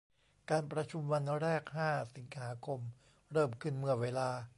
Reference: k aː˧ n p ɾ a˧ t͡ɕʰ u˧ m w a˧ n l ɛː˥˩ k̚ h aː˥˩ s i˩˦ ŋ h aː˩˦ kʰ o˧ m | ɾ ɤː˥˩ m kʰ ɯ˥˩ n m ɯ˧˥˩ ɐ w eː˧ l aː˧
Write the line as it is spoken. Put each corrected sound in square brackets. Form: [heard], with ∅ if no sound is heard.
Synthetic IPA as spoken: k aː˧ n p ɾ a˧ t͡ɕʰ u˧ m w a˧ n [ɾ] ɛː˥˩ k̚ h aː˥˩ s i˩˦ ŋ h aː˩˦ kʰ o˧ m | ɾ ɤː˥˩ m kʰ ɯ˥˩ n m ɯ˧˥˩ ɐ w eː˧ l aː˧